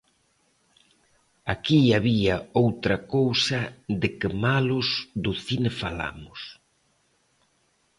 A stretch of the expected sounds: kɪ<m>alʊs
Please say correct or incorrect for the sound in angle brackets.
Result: correct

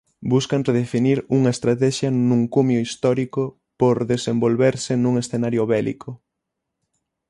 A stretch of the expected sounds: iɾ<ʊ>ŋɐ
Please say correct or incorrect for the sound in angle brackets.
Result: incorrect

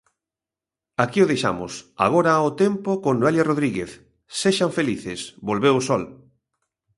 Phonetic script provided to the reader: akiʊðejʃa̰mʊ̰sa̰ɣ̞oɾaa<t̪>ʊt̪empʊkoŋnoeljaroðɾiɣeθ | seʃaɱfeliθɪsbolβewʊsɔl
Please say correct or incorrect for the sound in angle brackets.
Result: incorrect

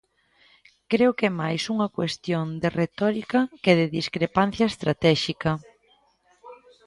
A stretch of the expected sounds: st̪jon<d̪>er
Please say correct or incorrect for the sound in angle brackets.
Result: correct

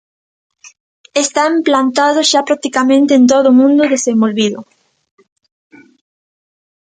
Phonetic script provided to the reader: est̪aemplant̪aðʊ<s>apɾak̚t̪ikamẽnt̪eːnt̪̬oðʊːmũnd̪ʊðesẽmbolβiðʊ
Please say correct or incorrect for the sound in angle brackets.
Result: incorrect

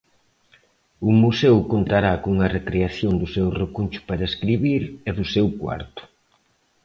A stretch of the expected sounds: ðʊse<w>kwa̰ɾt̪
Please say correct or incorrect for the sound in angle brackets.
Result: correct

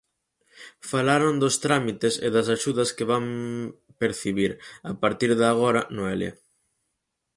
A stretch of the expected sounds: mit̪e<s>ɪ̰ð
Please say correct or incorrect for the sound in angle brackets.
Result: correct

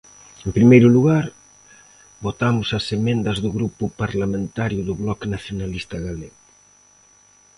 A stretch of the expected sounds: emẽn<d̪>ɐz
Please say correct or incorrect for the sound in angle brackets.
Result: correct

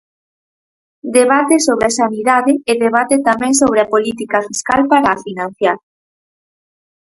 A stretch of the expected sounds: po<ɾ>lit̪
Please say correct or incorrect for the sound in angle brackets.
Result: incorrect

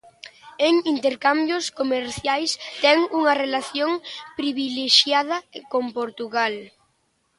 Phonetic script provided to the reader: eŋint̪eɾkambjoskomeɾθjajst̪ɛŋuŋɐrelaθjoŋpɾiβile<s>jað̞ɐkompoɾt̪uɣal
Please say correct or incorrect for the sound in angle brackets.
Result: incorrect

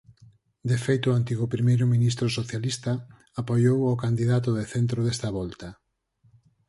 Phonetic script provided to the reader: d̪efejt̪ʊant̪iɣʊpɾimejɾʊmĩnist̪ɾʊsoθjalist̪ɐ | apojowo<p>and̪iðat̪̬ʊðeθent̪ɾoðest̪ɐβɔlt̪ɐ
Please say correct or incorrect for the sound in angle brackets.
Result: incorrect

